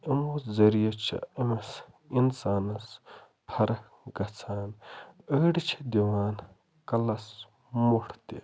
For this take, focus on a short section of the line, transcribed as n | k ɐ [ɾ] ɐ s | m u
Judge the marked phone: incorrect: l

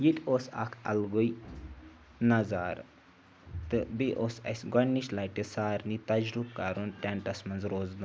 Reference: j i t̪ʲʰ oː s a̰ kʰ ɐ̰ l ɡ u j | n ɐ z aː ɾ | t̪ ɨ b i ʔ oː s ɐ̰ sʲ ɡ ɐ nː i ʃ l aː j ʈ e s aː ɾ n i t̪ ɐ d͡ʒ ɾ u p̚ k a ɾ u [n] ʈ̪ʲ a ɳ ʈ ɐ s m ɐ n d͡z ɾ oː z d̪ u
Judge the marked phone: correct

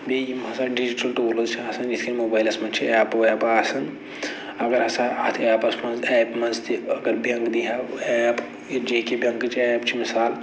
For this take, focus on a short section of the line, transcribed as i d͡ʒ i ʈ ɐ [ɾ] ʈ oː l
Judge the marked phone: incorrect: l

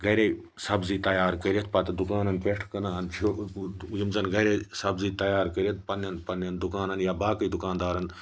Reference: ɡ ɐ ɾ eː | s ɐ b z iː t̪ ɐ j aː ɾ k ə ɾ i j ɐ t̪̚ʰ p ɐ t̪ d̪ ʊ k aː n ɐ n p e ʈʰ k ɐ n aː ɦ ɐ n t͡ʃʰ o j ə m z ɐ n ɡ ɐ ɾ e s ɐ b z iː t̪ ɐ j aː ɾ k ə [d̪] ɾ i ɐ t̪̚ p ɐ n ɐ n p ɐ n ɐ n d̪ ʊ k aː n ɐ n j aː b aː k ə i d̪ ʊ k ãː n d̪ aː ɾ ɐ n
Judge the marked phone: incorrect: none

